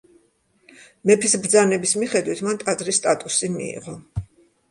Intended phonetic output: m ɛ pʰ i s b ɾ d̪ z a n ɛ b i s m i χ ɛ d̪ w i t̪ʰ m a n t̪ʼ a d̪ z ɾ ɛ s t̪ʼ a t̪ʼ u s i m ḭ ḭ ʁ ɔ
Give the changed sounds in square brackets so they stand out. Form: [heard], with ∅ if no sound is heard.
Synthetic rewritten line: m ɛ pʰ i s b ɾ d̪ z a n ɛ b i s m i χ ɛ d̪ w i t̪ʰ m a n t̪ʼ a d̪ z ɾ [i] s t̪ʼ a t̪ʼ u s i m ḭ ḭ ʁ ɔ